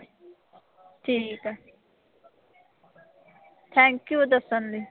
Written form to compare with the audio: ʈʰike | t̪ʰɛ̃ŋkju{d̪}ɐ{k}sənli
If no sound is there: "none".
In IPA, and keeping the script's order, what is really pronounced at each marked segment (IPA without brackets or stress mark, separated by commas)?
d̪, none